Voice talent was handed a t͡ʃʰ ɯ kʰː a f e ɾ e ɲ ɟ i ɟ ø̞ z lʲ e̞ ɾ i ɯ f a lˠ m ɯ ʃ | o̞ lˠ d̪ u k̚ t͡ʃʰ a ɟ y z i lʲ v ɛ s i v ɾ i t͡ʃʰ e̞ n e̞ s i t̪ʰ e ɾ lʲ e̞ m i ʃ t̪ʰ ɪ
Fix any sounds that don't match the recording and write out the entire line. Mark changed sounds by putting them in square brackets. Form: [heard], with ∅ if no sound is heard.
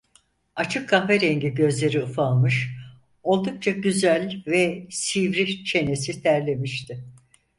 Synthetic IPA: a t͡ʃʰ ɯ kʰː a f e ɾ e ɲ ɟ i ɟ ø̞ z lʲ e̞ ɾ i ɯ f a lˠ m ɯ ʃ | o̞ lˠ d̪ u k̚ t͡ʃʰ a ɟ y z [æ] lʲ v ɛ s i v ɾ i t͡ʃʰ e̞ n e̞ s i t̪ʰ [æ] ɾ lʲ e̞ m i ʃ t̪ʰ ɪ